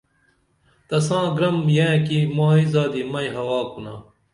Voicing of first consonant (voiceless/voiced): voiceless